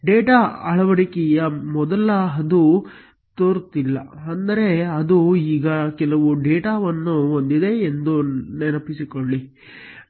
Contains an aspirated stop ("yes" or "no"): no